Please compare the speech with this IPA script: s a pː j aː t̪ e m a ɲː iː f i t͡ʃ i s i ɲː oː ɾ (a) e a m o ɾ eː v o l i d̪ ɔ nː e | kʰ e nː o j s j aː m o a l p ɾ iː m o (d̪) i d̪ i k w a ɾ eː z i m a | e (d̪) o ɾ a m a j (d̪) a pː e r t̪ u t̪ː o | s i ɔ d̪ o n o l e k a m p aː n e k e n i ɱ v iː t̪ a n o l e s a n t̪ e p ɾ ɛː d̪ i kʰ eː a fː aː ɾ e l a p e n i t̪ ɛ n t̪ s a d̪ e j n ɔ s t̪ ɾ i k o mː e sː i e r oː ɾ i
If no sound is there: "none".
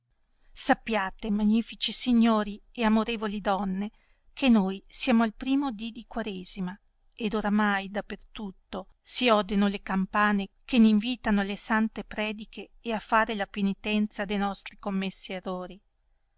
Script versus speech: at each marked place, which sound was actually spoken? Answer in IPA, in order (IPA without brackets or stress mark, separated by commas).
i, d̪, d̪, d̪